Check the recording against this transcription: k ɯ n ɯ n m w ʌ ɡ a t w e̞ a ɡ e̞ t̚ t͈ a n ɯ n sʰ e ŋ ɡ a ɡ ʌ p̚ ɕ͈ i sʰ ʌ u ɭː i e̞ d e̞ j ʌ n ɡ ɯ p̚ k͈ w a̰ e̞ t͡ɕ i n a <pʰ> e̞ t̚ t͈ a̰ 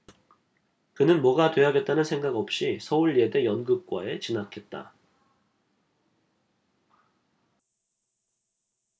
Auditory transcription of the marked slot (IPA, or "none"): kʰ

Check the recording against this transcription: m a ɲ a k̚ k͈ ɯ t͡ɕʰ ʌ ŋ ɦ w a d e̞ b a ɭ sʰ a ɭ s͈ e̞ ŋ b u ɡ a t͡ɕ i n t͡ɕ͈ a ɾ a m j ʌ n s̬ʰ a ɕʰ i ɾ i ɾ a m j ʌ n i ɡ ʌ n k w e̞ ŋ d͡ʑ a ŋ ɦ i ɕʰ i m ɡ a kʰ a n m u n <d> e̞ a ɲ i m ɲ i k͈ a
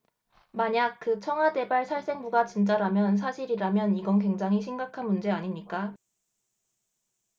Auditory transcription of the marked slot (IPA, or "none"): d͡ʑ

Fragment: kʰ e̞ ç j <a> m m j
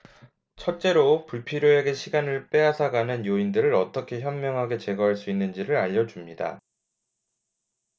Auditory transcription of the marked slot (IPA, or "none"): ʌ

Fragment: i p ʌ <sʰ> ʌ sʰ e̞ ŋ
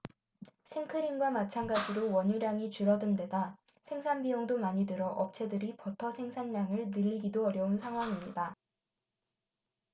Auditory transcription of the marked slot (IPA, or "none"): tʰ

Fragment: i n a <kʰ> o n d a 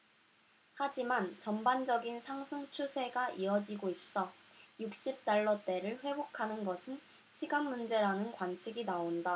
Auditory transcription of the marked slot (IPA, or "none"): none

